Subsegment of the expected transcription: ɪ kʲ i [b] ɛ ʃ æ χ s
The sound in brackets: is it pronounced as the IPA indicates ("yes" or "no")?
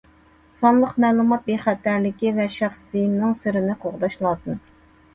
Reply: no